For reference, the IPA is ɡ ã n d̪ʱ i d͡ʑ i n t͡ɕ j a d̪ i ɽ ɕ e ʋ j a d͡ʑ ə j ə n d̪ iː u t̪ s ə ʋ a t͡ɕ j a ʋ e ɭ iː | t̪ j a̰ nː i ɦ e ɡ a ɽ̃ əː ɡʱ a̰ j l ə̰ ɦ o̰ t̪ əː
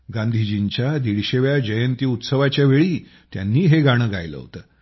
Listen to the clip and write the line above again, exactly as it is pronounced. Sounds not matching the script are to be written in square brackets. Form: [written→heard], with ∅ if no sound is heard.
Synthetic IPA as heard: ɡ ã n d̪ʱ i d͡ʑ i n t͡ɕ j a d̪ i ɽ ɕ e ʋ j a d͡ʑ ə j ə n [d̪→t̪] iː u t̪ s ə ʋ a t͡ɕ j a ʋ e ɭ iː | t̪ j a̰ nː [i→iː] ɦ e ɡ a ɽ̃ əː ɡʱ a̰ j l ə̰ ɦ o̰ t̪ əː